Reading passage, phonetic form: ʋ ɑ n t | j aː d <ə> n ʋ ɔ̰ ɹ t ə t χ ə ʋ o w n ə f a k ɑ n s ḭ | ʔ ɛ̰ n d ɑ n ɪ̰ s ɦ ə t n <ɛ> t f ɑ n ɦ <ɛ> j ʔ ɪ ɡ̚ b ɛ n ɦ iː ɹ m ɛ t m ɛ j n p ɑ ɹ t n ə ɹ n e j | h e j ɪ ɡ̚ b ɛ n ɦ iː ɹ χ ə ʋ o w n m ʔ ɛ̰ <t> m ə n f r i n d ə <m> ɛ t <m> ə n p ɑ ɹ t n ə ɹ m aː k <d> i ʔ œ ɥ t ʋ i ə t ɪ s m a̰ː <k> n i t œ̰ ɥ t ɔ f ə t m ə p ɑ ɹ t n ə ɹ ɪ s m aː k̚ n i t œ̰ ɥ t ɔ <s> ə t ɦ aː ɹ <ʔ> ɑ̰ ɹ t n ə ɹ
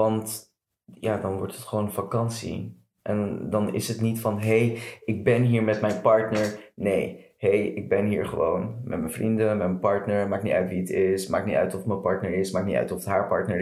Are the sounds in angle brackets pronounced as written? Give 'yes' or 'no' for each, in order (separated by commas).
no, no, no, yes, yes, yes, no, yes, no, no